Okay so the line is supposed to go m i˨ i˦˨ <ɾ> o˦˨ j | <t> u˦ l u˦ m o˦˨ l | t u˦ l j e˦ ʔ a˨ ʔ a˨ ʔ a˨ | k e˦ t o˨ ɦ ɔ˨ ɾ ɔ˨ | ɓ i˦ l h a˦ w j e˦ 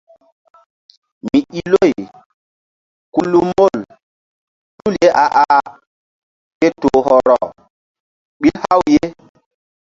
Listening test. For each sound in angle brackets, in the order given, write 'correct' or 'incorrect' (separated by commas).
incorrect, incorrect